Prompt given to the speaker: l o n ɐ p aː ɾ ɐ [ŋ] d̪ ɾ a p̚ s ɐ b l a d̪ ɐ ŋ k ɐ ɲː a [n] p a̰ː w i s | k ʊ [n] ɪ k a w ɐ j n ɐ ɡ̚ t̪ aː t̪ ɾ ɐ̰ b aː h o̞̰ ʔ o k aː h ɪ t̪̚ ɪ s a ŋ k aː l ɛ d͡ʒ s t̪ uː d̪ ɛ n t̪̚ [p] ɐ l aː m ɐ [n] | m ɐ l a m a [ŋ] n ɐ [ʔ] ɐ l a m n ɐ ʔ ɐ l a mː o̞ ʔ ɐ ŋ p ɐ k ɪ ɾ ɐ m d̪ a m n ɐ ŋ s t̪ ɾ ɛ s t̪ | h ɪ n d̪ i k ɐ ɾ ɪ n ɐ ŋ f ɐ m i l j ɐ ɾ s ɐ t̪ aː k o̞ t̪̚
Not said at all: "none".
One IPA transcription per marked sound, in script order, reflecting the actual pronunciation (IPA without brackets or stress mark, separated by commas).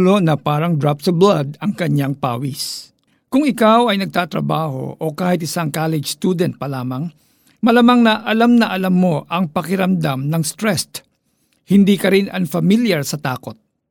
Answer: ŋ, ŋ, ŋ, p, ŋ, ŋ, ʔ